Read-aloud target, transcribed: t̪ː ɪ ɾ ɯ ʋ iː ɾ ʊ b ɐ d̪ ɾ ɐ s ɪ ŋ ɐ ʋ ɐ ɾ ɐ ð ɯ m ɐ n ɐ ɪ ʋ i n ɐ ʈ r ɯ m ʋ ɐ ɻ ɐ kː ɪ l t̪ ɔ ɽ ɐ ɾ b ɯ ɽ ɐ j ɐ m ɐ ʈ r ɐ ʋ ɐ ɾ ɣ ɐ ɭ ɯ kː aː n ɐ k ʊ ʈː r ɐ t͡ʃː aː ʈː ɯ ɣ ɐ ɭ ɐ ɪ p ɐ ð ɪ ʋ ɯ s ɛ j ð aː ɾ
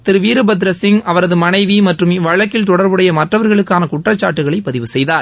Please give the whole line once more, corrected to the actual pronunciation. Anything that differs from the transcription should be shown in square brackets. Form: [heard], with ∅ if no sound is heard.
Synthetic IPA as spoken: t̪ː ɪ ɾ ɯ ʋ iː ɾ [ɯ] b ɐ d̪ ɾ ɐ s ɪ ŋ ɐ ʋ ɐ ɾ ɐ ð ɯ m ɐ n ɐ ɪ ʋ i [m] ɐ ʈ r ɯ m ʋ ɐ ɻ ɐ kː ɪ l t̪ ɔ ɽ ɐ ɾ b ɯ ɽ ɐ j ɐ m ɐ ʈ r ɐ ʋ ɐ ɾ ɣ ɐ ɭ ɯ kː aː n ɐ k ʊ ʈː r ɐ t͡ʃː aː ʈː ɯ ɣ ɐ ɭ ɐ ɪ p ɐ ð ɪ ʋ ɯ s ɛ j ð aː ɾ